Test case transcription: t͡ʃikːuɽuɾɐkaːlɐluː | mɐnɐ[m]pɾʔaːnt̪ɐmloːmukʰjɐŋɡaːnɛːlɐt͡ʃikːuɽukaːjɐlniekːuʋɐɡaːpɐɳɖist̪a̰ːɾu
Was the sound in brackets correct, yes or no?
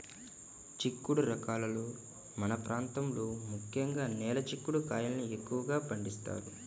no